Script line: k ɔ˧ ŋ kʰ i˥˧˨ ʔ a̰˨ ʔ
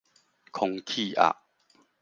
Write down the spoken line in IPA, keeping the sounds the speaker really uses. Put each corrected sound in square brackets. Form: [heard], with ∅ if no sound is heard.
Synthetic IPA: [kʰ] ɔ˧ ŋ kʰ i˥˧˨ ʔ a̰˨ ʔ

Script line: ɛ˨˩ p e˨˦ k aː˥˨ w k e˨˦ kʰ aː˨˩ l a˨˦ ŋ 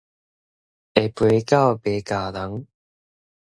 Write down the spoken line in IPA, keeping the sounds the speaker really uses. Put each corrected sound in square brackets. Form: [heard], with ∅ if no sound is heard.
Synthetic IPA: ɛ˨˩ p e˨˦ k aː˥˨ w [p] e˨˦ [k] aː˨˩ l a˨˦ ŋ

